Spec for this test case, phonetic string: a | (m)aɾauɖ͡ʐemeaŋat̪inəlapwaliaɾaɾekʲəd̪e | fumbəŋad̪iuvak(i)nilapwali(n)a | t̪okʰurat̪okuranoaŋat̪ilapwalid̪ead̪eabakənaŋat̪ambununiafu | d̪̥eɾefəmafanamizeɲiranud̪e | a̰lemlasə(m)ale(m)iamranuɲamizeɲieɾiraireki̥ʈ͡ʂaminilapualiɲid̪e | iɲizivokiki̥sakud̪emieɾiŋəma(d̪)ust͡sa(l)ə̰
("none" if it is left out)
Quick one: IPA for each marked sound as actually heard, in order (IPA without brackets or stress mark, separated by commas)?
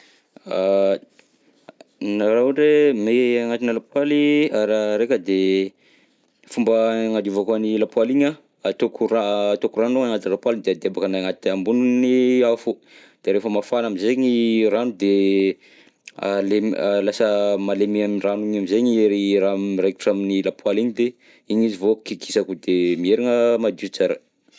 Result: n, a, ɲ, m, m, d̪, ɾ